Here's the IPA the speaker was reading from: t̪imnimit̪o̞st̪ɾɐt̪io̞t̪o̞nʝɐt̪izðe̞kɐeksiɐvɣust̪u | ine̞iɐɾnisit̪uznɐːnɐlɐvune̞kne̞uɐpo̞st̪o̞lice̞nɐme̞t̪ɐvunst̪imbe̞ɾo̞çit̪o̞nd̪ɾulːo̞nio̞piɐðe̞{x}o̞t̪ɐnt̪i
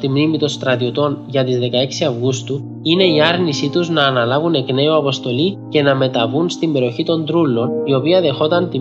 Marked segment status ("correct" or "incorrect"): correct